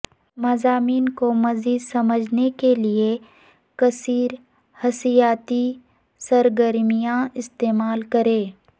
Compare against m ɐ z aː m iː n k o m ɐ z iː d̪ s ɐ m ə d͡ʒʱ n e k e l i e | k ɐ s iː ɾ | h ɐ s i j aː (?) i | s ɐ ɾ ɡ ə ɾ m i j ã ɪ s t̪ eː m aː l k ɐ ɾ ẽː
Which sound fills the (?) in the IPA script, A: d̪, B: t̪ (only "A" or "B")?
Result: B